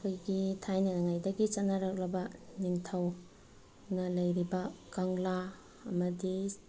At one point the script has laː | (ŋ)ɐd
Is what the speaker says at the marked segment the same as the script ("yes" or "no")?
no